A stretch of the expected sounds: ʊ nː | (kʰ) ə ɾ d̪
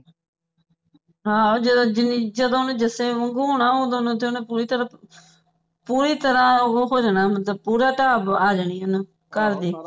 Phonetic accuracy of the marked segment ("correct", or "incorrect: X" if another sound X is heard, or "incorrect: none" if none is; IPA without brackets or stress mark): incorrect: k